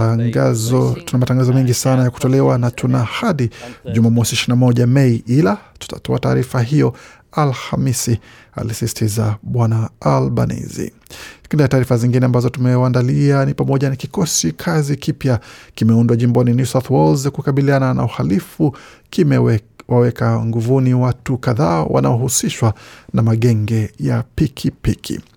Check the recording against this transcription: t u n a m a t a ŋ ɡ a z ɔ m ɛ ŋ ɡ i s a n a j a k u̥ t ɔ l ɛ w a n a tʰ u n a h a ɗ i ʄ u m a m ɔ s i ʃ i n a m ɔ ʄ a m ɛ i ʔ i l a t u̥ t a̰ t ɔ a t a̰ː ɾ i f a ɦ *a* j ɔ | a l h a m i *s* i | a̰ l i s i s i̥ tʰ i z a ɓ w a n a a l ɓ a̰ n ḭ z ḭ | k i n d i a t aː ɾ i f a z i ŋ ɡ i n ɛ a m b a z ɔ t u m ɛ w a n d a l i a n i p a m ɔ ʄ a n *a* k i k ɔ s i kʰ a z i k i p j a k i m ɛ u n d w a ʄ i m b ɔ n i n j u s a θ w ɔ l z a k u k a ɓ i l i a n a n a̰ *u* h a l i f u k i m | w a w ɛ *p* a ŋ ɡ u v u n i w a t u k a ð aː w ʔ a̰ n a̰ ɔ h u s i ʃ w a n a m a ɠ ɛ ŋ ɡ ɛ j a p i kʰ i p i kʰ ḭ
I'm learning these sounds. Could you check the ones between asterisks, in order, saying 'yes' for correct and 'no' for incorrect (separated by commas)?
no, yes, yes, yes, no